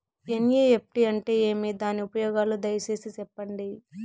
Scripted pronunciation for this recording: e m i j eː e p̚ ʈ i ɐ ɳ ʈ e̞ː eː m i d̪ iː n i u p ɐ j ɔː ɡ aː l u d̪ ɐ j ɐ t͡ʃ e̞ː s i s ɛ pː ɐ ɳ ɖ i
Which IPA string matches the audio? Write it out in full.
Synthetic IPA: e n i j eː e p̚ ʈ i ɐ ɳ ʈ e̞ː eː m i d̪ aː n i u p ɐ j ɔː ɡ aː l u d̪ ɐ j ɐ t͡ʃ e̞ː s i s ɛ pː ɐ ɳ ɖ i